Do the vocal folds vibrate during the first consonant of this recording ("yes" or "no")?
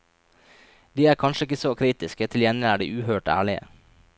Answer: yes